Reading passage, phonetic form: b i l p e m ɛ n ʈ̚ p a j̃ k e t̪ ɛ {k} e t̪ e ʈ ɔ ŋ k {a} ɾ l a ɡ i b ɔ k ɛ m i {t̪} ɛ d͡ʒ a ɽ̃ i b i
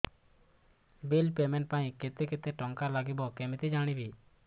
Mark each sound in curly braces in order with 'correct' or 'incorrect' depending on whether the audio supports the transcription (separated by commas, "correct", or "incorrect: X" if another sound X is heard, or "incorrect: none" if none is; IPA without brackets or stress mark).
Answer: correct, correct, correct